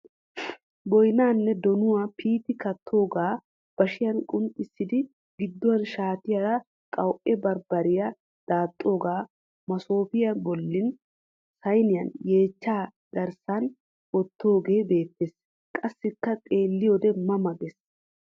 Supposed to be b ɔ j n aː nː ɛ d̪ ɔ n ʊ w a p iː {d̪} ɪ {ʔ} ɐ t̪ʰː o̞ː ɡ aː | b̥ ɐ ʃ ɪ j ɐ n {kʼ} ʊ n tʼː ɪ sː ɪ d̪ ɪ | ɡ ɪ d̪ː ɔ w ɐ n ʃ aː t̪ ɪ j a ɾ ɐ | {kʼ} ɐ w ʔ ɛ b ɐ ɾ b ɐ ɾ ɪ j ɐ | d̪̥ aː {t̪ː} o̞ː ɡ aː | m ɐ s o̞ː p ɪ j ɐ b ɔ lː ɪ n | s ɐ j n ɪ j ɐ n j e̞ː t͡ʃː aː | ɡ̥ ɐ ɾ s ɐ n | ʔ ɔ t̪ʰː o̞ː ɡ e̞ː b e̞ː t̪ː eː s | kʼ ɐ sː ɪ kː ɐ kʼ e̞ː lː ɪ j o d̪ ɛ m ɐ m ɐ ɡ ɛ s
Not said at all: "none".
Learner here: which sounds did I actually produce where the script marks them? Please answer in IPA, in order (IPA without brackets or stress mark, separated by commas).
t̪, k, kʼ, kʼ, t̪ʼː